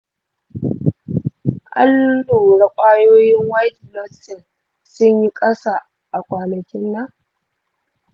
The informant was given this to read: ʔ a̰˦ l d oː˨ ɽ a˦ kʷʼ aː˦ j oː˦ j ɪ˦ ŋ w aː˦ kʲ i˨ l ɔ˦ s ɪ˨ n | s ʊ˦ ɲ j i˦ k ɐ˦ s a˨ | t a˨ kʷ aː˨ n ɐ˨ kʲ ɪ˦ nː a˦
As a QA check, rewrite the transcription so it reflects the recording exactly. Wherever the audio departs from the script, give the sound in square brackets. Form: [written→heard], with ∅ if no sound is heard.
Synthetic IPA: ʔ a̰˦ l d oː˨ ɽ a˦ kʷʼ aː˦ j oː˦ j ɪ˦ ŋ w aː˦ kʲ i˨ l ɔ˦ s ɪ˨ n | s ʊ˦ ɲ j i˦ [k→kʼ] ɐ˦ s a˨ | [t→ʔ] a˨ kʷ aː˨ n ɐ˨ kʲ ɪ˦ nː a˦